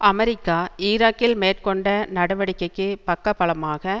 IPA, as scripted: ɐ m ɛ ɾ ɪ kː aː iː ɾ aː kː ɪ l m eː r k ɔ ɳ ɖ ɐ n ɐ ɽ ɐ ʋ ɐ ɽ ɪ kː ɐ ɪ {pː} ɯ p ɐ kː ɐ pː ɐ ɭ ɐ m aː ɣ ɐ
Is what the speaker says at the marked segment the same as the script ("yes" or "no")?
no